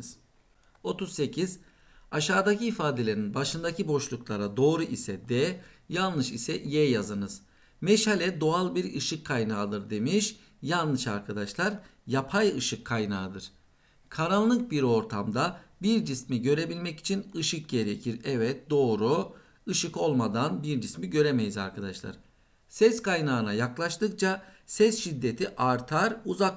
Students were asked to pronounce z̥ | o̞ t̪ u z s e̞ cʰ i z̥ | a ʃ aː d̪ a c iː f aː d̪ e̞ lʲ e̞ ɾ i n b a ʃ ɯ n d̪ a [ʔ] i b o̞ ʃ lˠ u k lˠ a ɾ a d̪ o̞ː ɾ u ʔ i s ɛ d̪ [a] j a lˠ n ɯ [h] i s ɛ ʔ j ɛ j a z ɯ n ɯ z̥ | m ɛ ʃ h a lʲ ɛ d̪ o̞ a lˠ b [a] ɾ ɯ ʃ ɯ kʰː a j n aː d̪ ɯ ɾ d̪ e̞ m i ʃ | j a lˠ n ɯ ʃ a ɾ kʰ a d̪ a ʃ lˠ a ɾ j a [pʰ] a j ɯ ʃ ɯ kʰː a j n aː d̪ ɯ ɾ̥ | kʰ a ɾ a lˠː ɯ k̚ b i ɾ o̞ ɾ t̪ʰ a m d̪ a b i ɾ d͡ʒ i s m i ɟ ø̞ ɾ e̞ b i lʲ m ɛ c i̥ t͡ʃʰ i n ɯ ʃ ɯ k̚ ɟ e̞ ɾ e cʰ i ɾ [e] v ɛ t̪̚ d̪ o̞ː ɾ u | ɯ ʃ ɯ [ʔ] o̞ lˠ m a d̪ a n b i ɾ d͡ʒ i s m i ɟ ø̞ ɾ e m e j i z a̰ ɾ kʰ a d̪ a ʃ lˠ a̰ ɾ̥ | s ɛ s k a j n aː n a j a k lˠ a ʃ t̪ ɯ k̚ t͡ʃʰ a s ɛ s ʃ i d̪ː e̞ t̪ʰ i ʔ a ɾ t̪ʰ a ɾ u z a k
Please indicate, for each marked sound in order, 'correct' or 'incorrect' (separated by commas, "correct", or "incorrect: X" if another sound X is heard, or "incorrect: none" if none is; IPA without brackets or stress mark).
incorrect: c, incorrect: ɛ, incorrect: ʃ, incorrect: i, correct, incorrect: ɛ, incorrect: k